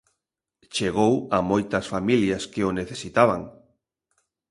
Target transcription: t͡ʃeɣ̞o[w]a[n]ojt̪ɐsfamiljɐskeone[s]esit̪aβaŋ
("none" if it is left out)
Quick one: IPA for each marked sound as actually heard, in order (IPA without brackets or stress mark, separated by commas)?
w, m, θ